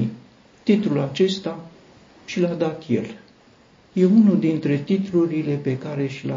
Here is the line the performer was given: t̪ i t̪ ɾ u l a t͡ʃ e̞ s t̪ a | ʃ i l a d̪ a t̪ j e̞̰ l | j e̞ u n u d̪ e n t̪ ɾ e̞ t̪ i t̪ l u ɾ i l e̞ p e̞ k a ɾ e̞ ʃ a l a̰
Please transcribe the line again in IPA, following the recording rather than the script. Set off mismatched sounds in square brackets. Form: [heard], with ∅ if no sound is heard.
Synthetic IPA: t̪ i t̪ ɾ u l a t͡ʃ e̞ s t̪ a | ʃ i l a d̪ a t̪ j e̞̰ l | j e̞ u n u d̪ [i] n t̪ ɾ e̞ t̪ i t̪ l u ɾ i l e̞ p e̞ k a ɾ e̞ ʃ [i] l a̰